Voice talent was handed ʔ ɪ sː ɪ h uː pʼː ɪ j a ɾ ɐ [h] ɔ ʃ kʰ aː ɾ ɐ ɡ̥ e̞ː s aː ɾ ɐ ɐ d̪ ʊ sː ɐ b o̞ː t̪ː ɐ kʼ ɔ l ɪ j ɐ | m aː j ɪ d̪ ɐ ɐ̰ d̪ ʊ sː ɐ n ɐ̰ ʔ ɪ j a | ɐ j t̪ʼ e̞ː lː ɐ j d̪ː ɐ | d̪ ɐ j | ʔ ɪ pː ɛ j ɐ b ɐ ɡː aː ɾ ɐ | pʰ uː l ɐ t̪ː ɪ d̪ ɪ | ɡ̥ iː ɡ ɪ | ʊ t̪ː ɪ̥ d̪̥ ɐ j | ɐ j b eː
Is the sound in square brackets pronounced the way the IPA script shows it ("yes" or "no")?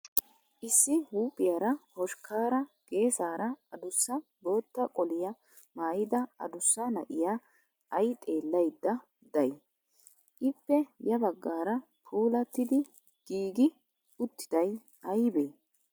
yes